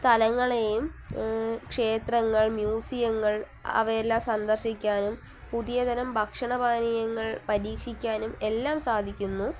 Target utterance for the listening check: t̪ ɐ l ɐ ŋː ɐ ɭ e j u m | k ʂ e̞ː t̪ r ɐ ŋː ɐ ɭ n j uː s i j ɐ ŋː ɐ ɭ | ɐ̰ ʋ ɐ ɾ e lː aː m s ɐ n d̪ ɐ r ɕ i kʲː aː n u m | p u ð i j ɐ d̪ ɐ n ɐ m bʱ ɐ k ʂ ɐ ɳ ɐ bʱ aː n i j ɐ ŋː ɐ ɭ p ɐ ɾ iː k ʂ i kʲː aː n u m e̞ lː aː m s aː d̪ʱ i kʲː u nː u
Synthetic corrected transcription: t̪ ɐ l ɐ ŋː ɐ ɭ e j u m | k ʂ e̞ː t̪ r ɐ ŋː ɐ ɭ m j uː s i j ɐ ŋː ɐ ɭ | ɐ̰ ʋ ɐ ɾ e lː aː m s ɐ n d̪ ɐ r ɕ i kʲː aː n u m | p u ð i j ɐ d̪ ɐ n ɐ m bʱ ɐ k ʂ ɐ ɳ ɐ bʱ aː n i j ɐ ŋː ɐ ɭ p ɐ ɾ iː k ʂ i kʲː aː n u m e̞ lː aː m s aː d̪ʱ i kʲː u nː u